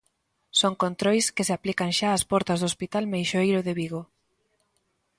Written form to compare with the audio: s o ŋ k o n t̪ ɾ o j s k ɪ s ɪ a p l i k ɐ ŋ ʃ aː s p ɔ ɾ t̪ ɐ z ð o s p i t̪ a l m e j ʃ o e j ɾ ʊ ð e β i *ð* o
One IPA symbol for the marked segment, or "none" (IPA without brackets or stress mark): ɣ